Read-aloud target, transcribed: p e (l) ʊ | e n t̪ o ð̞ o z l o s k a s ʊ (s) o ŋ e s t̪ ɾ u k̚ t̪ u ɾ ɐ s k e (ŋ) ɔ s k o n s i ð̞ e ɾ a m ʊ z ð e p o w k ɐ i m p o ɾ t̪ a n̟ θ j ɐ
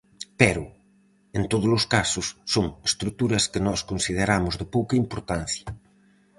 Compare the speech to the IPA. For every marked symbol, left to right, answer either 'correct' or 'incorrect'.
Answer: incorrect, incorrect, incorrect

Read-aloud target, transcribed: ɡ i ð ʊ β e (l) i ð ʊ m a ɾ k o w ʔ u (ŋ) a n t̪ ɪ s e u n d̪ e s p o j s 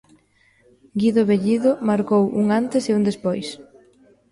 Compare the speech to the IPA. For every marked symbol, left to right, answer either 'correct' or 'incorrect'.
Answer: incorrect, correct

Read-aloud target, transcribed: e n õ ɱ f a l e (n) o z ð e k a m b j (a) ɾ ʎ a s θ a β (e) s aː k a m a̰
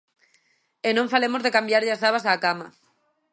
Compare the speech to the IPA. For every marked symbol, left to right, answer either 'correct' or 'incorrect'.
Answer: incorrect, correct, incorrect

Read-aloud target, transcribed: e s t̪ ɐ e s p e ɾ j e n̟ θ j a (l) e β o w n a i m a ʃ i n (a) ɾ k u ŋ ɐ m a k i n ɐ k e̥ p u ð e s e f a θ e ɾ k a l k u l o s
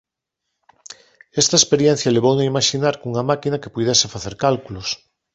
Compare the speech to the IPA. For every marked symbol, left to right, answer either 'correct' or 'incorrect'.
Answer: correct, correct

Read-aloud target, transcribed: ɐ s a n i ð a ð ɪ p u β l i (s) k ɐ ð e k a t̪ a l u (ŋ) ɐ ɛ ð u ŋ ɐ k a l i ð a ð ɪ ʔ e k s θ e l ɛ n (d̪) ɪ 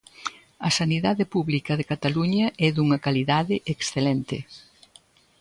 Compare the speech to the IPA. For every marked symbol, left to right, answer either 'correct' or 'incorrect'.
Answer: incorrect, incorrect, incorrect

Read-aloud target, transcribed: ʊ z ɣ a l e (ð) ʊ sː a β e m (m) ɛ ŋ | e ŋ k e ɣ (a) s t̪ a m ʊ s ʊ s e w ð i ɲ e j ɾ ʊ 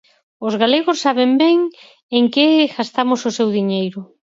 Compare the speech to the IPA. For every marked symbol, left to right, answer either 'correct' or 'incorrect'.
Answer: incorrect, incorrect, correct

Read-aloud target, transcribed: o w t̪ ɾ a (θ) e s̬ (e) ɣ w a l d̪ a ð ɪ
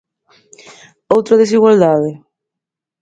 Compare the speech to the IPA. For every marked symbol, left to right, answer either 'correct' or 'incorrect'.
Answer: incorrect, incorrect

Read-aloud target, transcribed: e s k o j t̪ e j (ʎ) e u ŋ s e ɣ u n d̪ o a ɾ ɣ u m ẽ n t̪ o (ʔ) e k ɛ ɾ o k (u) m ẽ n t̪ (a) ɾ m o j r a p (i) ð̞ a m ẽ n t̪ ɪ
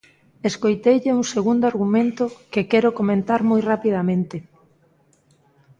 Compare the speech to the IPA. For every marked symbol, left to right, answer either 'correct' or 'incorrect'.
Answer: correct, incorrect, incorrect, correct, correct

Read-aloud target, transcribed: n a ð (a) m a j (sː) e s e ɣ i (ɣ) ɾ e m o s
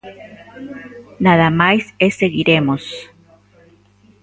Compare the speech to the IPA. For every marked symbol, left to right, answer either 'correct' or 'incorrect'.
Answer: correct, incorrect, incorrect

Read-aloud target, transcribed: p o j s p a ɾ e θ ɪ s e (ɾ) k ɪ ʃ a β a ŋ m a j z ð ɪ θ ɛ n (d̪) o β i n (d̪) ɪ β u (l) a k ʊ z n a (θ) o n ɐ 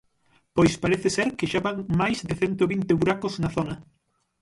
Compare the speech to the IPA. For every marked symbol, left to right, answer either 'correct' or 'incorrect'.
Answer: correct, incorrect, incorrect, incorrect, correct

